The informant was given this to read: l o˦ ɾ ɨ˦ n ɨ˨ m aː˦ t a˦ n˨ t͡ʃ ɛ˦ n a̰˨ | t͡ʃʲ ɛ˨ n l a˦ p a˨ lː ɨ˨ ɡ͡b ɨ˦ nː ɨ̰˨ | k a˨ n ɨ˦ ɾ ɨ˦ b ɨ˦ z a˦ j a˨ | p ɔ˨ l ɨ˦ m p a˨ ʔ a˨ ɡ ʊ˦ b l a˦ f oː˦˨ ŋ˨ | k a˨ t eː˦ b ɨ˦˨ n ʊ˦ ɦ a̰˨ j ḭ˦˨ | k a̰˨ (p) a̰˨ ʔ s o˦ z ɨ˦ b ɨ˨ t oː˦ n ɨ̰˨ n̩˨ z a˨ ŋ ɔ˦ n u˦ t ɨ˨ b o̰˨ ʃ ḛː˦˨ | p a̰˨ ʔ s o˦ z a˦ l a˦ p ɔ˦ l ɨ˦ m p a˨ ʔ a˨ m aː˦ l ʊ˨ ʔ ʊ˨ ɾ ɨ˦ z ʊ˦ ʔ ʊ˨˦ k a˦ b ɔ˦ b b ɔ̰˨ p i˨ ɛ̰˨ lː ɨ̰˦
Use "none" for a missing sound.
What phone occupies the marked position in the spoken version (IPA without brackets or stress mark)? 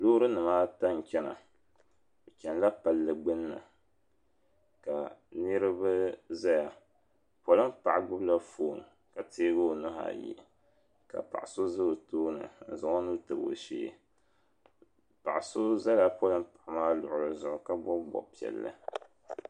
p